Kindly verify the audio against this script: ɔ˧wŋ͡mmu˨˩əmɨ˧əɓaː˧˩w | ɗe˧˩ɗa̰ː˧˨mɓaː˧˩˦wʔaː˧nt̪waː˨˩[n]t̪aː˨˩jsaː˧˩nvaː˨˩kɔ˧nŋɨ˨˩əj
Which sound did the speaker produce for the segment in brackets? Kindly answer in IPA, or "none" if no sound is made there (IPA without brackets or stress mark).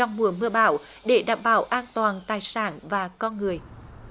n